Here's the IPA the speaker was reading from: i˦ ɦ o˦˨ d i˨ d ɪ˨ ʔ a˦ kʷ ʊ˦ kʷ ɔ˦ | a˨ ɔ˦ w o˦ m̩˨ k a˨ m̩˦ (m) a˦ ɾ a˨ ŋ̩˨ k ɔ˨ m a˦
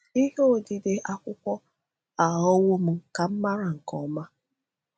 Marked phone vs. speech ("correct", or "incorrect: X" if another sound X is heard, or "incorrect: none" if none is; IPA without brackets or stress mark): correct